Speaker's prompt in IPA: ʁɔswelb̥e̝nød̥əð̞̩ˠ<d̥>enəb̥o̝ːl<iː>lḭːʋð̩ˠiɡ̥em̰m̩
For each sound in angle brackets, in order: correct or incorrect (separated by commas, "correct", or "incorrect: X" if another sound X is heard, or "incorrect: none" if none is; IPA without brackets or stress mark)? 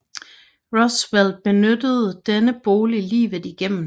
correct, incorrect: i